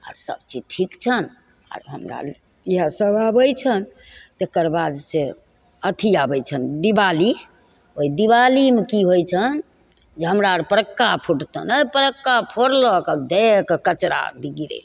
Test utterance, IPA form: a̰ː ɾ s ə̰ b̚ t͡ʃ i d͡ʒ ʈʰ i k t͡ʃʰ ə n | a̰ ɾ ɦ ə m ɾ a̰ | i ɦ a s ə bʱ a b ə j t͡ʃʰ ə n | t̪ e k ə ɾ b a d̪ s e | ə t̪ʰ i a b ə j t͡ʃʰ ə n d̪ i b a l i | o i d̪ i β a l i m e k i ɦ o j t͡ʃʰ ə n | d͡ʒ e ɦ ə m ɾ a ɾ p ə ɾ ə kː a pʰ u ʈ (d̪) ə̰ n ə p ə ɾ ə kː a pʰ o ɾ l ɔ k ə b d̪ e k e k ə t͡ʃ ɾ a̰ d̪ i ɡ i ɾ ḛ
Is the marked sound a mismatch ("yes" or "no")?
yes